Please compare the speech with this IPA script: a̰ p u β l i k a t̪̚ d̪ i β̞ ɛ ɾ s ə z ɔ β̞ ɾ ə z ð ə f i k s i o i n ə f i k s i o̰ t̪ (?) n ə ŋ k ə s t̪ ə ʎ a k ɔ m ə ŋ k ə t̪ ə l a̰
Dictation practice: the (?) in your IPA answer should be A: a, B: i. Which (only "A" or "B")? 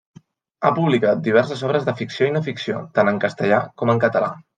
A